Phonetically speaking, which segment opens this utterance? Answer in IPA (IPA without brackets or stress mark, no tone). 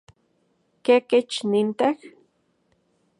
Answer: k